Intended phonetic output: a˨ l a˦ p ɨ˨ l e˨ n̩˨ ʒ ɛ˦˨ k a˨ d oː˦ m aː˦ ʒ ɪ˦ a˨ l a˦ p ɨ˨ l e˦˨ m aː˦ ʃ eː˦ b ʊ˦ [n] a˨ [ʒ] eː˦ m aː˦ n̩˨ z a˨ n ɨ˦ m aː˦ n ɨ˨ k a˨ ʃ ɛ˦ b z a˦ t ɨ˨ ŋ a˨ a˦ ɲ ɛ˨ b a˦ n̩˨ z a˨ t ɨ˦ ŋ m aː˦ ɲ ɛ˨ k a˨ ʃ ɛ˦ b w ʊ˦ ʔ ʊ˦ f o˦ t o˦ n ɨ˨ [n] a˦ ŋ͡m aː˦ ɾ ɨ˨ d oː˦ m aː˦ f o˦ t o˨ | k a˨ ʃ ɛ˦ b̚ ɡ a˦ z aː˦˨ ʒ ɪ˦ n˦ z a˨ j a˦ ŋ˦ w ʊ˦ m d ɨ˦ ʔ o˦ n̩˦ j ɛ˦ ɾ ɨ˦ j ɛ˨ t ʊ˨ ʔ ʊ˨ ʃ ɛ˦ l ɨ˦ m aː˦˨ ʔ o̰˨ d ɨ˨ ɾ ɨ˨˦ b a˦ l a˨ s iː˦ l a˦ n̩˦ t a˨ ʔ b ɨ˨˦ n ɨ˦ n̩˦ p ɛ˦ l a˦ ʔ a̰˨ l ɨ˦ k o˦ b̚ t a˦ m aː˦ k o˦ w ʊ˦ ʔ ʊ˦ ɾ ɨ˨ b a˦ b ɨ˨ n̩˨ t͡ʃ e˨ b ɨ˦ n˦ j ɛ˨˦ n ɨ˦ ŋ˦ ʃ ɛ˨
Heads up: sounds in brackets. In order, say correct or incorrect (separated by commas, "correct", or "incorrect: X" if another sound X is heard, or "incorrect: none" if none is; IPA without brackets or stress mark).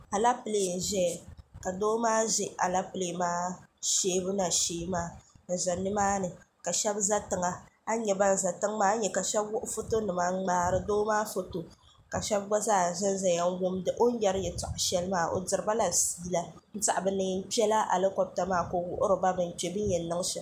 correct, incorrect: ʃ, incorrect: m